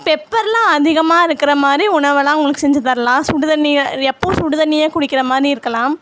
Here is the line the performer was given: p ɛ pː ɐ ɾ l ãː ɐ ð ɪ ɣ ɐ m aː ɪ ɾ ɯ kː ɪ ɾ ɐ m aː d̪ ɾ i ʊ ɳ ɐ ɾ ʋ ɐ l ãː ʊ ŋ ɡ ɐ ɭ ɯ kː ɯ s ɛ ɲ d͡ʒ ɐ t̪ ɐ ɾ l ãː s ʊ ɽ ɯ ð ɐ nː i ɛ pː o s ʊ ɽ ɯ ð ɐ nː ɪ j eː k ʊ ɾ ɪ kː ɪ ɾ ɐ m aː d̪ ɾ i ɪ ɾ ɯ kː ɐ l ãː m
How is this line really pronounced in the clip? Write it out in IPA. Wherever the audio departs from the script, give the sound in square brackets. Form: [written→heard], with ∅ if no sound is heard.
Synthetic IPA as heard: p ɛ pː ɐ ɾ l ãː ɐ ð ɪ ɣ ɐ m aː ɪ ɾ ɯ kː ɪ ɾ ɐ m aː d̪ ɾ i ʊ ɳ ɐ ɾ ʋ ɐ l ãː ʊ ŋ ɡ ɐ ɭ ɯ kː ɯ s ɛ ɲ d͡ʒ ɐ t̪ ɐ ɾ l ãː s ʊ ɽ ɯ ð ɐ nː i ɛ pː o s ʊ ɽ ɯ ð ɐ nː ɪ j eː k ʊ [ɾ→ɽ] ɪ kː ɪ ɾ ɐ m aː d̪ ɾ i ɪ ɾ ɯ kː ɐ l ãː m